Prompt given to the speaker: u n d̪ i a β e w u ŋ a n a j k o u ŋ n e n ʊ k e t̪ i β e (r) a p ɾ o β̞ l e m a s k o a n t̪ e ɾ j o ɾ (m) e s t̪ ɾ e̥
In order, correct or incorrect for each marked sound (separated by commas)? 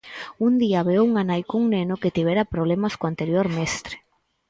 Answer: incorrect, correct